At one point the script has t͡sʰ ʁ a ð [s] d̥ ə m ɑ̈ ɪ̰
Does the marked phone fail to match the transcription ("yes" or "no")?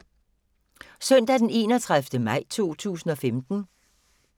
yes